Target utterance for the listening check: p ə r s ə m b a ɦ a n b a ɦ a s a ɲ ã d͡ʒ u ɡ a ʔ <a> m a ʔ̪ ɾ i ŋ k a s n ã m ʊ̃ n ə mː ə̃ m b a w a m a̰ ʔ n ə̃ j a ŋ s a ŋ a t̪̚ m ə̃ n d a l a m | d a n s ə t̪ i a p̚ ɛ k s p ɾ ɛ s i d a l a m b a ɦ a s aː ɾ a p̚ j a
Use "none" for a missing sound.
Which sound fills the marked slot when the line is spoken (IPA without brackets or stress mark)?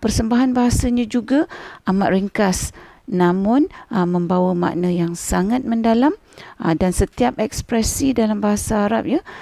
a